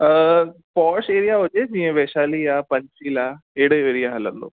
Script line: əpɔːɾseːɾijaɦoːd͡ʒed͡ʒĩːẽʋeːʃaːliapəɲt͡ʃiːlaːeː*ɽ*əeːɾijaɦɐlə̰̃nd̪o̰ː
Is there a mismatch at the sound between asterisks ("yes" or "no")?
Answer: no